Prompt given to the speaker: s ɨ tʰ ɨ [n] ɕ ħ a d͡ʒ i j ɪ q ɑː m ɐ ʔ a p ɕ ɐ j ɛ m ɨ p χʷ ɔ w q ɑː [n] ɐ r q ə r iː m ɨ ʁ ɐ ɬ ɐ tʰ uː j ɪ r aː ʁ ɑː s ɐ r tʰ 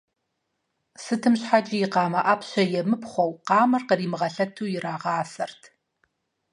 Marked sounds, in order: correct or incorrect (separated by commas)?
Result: incorrect, incorrect